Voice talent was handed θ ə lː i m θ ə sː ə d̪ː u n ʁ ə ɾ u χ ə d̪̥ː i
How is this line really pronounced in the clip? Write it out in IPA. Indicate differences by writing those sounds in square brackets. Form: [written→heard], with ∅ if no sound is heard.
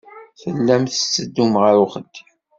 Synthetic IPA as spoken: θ ə lː [i→æ] m θ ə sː ə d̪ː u [n→m] ʁ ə ɾ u χ ə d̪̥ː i